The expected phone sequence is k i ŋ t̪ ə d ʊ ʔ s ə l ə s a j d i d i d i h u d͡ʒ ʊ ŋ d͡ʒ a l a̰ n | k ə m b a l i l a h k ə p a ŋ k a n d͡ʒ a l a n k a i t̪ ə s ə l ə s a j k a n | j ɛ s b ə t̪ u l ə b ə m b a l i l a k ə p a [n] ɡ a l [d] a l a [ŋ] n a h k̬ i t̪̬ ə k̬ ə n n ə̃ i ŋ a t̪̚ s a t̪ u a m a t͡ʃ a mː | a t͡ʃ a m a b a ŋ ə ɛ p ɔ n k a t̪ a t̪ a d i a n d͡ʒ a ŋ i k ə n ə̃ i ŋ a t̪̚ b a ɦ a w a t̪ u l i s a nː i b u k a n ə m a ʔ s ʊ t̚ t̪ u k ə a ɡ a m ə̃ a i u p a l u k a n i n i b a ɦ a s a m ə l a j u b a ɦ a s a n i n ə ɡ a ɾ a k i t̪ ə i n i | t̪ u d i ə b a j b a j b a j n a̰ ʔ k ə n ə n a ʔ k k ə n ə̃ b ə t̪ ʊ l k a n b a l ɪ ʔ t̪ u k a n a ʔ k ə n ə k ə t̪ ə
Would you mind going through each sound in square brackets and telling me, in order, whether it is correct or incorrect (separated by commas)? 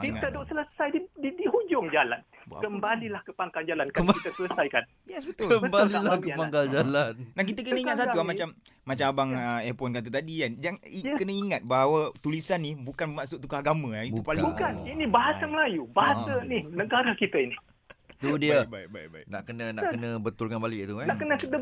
incorrect, incorrect, incorrect